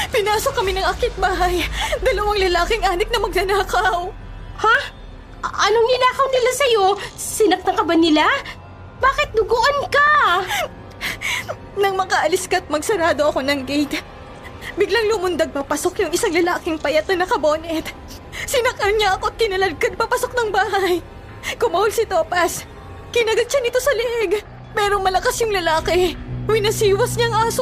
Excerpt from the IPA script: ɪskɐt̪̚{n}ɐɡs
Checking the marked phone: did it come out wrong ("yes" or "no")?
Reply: yes